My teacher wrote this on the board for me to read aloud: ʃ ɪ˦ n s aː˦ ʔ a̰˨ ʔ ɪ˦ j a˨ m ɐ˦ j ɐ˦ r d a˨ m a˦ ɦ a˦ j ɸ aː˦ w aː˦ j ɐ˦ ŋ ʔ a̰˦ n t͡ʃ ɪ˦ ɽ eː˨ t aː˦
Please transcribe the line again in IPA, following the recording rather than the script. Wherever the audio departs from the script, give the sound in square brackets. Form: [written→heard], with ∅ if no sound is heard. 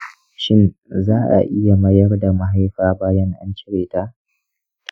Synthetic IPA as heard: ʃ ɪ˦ n [s→z] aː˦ ʔ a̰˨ ʔ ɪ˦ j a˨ m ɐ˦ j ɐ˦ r d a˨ m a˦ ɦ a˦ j ɸ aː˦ [w→b] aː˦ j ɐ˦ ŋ ʔ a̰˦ n t͡ʃ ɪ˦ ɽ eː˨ t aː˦